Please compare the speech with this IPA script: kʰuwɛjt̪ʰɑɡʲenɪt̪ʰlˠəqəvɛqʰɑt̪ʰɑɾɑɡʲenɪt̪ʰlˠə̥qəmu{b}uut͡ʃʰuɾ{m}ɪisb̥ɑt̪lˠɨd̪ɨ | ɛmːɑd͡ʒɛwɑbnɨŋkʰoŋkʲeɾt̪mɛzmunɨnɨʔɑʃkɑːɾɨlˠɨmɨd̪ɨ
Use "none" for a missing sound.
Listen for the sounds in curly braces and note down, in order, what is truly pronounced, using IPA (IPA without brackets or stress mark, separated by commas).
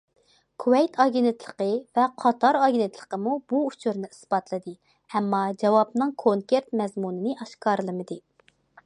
b, n